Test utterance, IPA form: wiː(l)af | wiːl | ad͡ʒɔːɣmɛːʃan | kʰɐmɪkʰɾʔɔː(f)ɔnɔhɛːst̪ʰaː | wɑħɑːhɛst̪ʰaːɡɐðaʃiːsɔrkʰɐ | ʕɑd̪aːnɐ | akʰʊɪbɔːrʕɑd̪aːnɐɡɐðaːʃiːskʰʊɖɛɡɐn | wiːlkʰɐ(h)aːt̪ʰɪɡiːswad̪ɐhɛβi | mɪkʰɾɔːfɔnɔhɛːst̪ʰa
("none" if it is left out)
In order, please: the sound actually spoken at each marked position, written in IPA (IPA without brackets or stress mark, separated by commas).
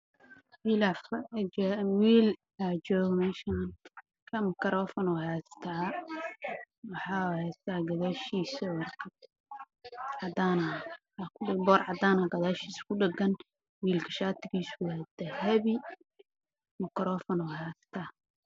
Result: l, f, ʃ